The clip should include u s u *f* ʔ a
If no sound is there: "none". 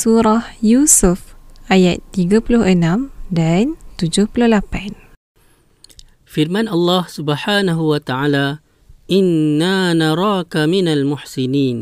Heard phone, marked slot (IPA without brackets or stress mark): f